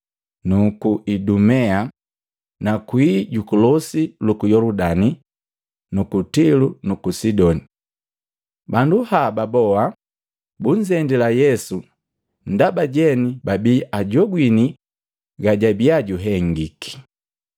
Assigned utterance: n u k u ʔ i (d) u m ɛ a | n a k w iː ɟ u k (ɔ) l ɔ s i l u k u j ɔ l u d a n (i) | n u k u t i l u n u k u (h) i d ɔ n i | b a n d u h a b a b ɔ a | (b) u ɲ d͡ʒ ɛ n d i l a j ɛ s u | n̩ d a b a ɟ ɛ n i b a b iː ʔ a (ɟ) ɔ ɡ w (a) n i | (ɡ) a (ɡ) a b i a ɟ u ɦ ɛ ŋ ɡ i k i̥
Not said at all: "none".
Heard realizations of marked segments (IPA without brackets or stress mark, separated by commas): d, u, i, s, b, ɟ, i, ɡ, ɟ